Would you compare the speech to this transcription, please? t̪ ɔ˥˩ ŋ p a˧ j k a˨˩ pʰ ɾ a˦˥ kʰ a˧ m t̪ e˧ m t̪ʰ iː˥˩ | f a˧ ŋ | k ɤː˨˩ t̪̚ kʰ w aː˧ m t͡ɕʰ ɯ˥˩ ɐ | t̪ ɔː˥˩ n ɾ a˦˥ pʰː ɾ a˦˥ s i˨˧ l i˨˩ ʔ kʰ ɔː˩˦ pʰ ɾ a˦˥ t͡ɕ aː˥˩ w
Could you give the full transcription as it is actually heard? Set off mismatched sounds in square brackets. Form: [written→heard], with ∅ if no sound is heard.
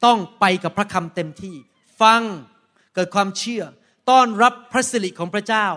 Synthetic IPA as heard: t̪ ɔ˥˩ ŋ p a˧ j k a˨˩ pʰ ɾ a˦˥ kʰ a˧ m t̪ e˧ m t̪ʰ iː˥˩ | f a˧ ŋ | k ɤː˨˩ t̪̚ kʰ w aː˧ m t͡ɕʰ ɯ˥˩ ɐ | t̪ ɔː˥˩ n ɾ a˦˥ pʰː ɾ a˦˥ s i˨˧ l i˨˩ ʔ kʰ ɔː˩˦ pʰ ɾ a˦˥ t͡ɕ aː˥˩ w